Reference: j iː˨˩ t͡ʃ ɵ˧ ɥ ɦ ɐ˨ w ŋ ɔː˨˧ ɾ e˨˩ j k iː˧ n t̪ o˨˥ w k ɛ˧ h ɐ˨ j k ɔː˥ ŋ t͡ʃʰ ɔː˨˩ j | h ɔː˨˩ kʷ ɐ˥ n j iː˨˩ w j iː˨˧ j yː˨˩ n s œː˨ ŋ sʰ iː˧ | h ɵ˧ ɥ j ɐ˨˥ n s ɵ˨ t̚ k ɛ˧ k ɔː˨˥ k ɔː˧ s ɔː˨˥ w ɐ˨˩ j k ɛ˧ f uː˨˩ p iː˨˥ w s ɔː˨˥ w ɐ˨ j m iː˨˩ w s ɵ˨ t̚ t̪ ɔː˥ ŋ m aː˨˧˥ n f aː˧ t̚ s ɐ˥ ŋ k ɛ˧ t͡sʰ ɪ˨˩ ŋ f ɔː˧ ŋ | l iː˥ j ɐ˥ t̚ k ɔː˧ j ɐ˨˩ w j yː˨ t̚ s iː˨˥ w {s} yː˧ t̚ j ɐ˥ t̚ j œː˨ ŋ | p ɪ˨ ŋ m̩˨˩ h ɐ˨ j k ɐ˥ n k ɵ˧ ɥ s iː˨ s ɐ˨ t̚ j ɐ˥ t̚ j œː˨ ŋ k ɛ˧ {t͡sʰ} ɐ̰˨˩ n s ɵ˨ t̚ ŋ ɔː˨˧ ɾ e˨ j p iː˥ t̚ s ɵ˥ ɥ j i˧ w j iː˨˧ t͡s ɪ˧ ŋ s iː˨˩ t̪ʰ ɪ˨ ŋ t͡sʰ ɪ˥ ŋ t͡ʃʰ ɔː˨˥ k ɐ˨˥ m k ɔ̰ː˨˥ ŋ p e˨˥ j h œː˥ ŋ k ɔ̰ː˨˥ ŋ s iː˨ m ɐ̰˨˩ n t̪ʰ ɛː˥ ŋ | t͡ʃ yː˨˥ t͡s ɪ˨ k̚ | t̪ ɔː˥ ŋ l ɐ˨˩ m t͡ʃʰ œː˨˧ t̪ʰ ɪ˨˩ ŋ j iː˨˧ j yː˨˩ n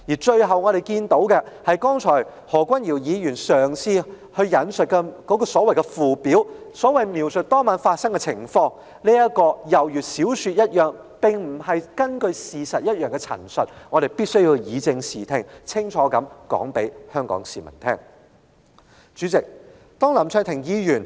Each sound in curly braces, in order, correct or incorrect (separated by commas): correct, correct